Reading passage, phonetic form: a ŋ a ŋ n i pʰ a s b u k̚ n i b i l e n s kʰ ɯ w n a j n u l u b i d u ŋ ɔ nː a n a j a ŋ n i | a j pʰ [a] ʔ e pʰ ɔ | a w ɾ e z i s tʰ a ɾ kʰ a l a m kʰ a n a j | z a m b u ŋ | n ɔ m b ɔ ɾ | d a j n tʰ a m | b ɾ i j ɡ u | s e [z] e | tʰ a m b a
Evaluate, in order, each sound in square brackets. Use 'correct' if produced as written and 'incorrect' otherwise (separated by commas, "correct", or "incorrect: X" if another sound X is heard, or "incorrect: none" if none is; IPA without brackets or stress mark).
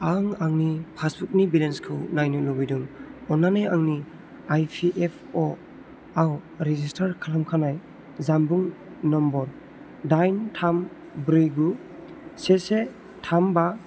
incorrect: i, incorrect: s